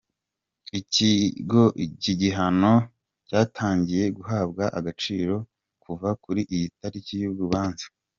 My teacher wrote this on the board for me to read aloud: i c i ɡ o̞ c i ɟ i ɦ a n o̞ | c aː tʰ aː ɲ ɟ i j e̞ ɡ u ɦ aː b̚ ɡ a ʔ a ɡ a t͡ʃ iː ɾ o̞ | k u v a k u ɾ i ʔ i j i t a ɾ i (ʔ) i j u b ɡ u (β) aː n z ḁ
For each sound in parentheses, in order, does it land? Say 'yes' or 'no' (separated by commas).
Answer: no, yes